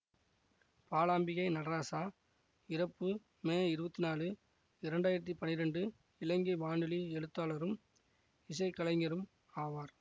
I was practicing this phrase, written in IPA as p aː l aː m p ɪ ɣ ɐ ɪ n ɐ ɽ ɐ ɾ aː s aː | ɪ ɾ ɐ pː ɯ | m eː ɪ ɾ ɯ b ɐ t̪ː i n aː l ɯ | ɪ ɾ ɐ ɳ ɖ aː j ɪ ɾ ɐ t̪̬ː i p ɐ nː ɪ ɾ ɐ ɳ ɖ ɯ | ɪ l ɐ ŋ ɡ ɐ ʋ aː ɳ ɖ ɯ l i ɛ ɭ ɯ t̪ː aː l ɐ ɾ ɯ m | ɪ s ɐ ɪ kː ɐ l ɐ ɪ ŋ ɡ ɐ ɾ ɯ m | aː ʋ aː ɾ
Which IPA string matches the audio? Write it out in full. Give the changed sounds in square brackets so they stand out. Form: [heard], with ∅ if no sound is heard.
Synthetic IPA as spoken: p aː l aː m [b] ɪ ɣ ɐ ɪ n ɐ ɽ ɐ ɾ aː s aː | ɪ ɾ ɐ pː ɯ | m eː ɪ ɾ ɯ b ɐ t̪ː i n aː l ɯ | ɪ ɾ ɐ ɳ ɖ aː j ɪ ɾ ɐ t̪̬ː i p ɐ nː ɪ ɾ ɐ ɳ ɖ ɯ | ɪ l ɐ ŋ ɡ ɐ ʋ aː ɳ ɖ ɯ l i ɛ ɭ ɯ t̪ː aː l ɐ ɾ ɯ m | ɪ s ɐ ɪ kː ɐ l ɐ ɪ ŋ ɡ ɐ ɾ ɯ m | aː ʋ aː ɾ

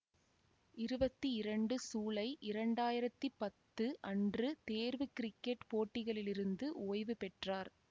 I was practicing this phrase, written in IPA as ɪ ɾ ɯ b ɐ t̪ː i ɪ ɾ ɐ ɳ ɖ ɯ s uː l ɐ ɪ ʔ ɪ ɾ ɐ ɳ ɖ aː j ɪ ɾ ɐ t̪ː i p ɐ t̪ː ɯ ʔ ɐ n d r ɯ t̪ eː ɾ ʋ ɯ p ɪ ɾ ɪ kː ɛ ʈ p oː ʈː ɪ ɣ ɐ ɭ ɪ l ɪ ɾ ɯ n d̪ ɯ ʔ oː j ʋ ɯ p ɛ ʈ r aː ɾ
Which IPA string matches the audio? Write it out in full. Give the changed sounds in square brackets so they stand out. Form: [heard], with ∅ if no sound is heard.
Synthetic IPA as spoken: ɪ ɾ ɯ b ɐ t̪ː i ɪ ɾ ɐ ɳ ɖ ɯ s uː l ɐ ɪ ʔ ɪ ɾ ɐ ɳ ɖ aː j ɪ ɾ ɐ t̪ː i p ɐ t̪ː ɯ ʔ ɐ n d r ɯ t̪ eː ɾ ʋ ɯ [k] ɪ ɾ ɪ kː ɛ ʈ p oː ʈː ɪ ɣ ɐ ɭ ɪ l ɪ ɾ ɯ n d̪ ɯ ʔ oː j ʋ ɯ p ɛ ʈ r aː ɾ

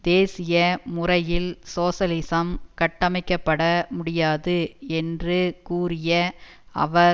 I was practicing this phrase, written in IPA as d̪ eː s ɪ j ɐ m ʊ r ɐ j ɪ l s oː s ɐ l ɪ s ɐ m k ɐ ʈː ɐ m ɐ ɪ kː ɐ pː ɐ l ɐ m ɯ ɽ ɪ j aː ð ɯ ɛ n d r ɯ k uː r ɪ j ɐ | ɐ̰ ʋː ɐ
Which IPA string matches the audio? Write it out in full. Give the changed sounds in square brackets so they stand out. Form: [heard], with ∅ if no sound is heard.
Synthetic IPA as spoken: d̪ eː s ɪ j ɐ m ʊ r ɐ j ɪ l s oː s ɐ l ɪ s ɐ m k ɐ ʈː ɐ m ɐ ɪ kː ɐ pː ɐ [ɽ] ɐ m [ʊ] ɽ ɪ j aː ð ɯ ɛ n d r ɯ k uː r ɪ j ɐ | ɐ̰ [ʋ] ɐ

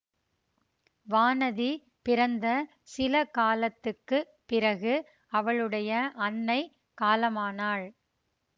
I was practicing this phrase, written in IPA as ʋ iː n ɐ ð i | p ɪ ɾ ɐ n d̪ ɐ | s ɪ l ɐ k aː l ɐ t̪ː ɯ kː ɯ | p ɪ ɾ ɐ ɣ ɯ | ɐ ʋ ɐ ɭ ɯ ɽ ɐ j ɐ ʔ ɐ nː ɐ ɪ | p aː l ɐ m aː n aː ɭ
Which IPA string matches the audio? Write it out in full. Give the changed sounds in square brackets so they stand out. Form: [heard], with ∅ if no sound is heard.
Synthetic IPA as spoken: ʋ [aː] n ɐ ð i | p ɪ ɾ ɐ n d̪ ɐ | s ɪ l ɐ k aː l ɐ t̪ː ɯ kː ɯ | p ɪ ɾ ɐ ɣ ɯ | ɐ ʋ ɐ ɭ ɯ ɽ ɐ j ɐ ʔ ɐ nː ɐ ɪ | [k] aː l ɐ m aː n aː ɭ

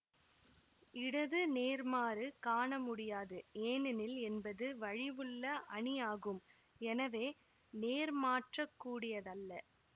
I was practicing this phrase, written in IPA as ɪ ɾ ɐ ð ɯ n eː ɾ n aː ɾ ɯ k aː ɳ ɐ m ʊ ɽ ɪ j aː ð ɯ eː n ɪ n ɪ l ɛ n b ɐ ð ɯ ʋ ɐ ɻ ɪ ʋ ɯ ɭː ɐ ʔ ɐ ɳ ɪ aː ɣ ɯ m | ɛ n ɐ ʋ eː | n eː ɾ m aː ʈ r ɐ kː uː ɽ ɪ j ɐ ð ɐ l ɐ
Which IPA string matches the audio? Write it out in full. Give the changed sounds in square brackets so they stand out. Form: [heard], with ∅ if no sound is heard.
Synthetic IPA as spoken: ɪ [ɽ] ɐ ð ɯ n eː ɾ [m] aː ɾ ɯ k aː ɳ ɐ m ʊ ɽ ɪ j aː ð ɯ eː n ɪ n ɪ l ɛ n b ɐ ð ɯ ʋ ɐ ɻ ɪ ʋ ɯ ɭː ɐ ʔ ɐ ɳ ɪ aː ɣ ɯ m | ɛ n ɐ ʋ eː | n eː ɾ m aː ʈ r ɐ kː uː ɽ ɪ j ɐ ð ɐ [lː] ɐ

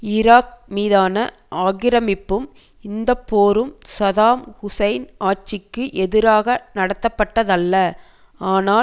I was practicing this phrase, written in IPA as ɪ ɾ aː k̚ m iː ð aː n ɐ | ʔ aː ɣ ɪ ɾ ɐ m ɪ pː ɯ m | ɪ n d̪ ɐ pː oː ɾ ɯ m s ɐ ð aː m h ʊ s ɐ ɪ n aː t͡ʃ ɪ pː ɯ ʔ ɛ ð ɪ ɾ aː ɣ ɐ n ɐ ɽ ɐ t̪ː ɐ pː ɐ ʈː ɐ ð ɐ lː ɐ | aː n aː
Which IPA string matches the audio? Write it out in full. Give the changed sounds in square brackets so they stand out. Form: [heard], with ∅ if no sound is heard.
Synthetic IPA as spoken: ɪ ɾ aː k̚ m iː ð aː n ɐ | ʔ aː ɣ ɪ ɾ ɐ m ɪ pː ɯ m | ɪ n d̪ ɐ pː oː ɾ ɯ m s ɐ ð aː m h ʊ s ɐ ɪ n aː t͡ʃ ɪ [kː] ɯ ʔ ɛ ð ɪ ɾ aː ɣ ɐ n ɐ ɽ ɐ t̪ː ɐ pː ɐ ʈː ɐ ð ɐ lː ɐ | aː n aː

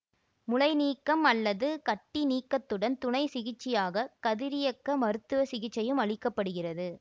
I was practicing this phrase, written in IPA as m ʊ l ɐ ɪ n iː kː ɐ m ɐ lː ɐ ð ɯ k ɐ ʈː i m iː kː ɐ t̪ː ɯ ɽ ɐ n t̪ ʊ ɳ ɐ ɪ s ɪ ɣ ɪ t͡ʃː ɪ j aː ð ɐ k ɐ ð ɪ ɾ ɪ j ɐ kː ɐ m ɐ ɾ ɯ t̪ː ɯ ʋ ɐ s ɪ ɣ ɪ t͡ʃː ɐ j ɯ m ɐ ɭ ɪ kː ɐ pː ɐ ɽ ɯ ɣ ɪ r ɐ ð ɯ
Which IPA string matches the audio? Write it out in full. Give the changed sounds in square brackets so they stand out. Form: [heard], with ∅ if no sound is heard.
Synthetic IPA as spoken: m ʊ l ɐ ɪ n iː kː ɐ m ɐ lː ɐ ð ɯ k ɐ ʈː i [n] iː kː ɐ t̪ː ɯ ɽ ɐ n t̪ ʊ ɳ ɐ ɪ s ɪ ɣ ɪ t͡ʃː ɪ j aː [ɣ] ɐ k ɐ ð ɪ ɾ ɪ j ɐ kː ɐ m ɐ ɾ ɯ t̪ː ɯ ʋ ɐ s ɪ ɣ ɪ t͡ʃː ɐ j ɯ m ɐ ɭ ɪ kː ɐ pː ɐ ɽ ɯ ɣ ɪ r ɐ ð ɯ

